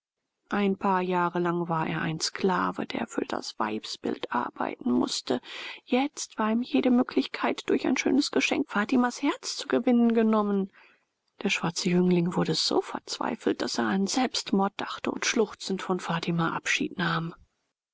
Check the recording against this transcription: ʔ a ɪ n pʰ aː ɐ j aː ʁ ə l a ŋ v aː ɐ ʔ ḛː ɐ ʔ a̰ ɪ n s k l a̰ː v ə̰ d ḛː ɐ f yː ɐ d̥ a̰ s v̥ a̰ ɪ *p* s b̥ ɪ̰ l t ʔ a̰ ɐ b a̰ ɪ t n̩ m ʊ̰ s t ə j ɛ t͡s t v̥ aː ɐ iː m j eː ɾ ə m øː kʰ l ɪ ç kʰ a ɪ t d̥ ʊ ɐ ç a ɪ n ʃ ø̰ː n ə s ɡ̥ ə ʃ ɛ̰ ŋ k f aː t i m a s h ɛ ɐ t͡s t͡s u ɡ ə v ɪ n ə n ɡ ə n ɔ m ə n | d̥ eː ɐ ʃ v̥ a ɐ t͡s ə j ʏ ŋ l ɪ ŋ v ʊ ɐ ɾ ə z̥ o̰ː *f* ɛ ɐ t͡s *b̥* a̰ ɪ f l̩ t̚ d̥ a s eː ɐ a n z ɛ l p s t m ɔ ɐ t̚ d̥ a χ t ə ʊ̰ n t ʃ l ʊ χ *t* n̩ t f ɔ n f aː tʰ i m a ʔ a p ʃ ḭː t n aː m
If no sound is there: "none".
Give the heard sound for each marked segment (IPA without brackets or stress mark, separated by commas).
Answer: p, f, v̥, t͡s